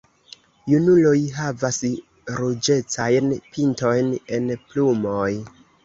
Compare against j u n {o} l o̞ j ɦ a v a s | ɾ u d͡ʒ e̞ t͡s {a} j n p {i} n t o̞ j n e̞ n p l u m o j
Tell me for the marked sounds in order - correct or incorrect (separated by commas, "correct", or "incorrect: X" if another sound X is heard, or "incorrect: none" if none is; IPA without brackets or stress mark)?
incorrect: u, correct, correct